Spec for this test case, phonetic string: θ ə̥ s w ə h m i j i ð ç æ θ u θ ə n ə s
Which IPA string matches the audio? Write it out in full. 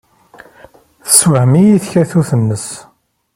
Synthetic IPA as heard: θ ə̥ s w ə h m i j i θ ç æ θ u θ ə nː ə s